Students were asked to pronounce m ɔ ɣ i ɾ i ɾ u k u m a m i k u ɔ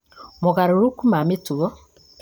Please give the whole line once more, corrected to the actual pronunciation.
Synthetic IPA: m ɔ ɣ a ɾ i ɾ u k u m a m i t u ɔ